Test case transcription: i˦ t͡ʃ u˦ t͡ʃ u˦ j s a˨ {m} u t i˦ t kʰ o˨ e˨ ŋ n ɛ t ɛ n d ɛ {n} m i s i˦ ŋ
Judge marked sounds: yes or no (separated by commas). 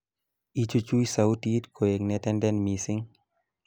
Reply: no, yes